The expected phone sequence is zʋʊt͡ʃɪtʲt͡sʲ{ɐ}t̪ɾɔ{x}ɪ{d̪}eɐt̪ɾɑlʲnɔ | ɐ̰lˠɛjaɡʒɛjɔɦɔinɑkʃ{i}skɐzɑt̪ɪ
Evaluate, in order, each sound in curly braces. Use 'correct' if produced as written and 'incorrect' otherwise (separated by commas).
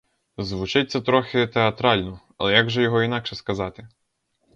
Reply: correct, correct, incorrect, incorrect